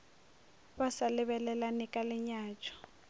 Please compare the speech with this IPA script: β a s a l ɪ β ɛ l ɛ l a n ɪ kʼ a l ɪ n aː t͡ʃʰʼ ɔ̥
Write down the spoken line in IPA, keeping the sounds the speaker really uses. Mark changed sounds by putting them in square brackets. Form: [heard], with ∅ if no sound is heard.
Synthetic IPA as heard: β a s a l ɪ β ɛ l ɛ l a n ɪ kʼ a l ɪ [ɲ] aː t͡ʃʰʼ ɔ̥